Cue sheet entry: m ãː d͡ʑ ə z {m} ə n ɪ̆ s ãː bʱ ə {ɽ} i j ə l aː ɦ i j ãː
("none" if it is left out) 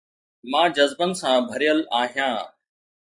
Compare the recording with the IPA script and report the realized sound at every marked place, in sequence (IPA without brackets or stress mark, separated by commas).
b, ɾ